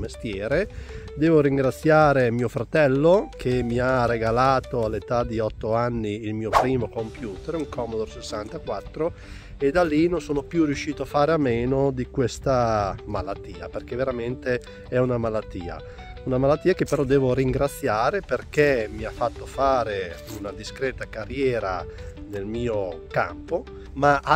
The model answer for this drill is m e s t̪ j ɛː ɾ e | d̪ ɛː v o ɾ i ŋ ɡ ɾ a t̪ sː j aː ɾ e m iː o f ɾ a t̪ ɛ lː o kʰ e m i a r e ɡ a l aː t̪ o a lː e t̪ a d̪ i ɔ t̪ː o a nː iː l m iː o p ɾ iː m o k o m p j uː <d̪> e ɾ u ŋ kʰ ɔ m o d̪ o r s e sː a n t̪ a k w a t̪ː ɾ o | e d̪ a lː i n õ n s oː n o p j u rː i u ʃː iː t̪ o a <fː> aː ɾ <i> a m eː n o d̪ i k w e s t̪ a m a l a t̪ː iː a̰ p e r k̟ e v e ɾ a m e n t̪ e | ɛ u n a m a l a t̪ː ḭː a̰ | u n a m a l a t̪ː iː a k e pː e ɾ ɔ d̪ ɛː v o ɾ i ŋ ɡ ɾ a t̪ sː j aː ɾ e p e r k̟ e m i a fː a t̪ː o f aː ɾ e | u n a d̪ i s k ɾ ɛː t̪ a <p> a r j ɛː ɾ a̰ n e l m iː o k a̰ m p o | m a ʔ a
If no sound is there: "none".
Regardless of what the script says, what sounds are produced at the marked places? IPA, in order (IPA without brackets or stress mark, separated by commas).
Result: t̪, f, e, k